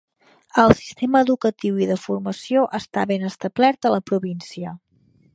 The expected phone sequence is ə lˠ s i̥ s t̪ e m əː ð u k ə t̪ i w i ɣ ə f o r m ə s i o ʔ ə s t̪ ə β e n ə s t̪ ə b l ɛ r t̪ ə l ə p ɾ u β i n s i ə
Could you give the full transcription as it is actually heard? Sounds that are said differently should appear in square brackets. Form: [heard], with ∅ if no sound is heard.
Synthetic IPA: ə lˠ s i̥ s t̪ e m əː ð u k ə t̪ i w i [ð] ə f [u] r m ə s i o ʔ ə s t̪ [a] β e n ə s t̪ ə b l ɛ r t̪ ə l ə p ɾ u β i n s i ə